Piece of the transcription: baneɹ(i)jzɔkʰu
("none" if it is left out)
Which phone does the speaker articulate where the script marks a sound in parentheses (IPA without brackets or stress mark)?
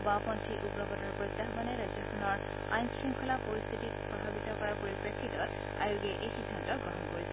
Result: a